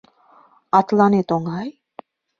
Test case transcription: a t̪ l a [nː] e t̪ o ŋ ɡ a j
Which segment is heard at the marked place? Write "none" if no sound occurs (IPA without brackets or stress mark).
n